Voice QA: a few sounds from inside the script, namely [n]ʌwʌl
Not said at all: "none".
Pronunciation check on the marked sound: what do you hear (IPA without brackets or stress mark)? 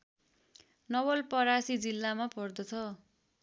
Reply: n